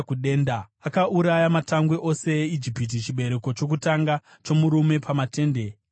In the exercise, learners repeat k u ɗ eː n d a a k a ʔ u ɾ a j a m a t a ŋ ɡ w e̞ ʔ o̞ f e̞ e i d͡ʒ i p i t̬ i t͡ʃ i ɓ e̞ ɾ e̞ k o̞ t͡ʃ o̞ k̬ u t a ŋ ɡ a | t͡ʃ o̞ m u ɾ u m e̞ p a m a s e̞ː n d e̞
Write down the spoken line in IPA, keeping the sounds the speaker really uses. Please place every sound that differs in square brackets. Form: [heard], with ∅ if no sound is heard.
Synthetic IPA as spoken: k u ɗ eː n d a a k a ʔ u ɾ a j a m a t a ŋ ɡ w e̞ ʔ o̞ [s] e̞ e i d͡ʒ i p i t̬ i t͡ʃ i ɓ e̞ ɾ e̞ k o̞ t͡ʃ o̞ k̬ u t a ŋ ɡ a | t͡ʃ o̞ m u ɾ u m e̞ p a m a [t] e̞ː n d e̞